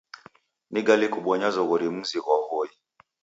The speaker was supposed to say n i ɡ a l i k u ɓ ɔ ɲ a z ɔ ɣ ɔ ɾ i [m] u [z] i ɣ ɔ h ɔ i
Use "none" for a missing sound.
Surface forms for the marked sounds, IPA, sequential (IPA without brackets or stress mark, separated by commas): m, z